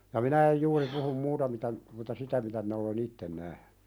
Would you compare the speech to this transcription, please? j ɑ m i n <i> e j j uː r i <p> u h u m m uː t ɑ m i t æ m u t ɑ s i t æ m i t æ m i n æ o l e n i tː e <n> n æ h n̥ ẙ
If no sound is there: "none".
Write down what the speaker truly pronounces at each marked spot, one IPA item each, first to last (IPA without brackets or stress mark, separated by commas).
æ, p, n